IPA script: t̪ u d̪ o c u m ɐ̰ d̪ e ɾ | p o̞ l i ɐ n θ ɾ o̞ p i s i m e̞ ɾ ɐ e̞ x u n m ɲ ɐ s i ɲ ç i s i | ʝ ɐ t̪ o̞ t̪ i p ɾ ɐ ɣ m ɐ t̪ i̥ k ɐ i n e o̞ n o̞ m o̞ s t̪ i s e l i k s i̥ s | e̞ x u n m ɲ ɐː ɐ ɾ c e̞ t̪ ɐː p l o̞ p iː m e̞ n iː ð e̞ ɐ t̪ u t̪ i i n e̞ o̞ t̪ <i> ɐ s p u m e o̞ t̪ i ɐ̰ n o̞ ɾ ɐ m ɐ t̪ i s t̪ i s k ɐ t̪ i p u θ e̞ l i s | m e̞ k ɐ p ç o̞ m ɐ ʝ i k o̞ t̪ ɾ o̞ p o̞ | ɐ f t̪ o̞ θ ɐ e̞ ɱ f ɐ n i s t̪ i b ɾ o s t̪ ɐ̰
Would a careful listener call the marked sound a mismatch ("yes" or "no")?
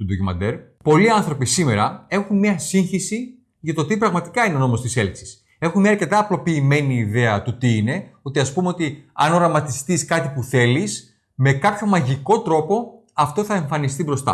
no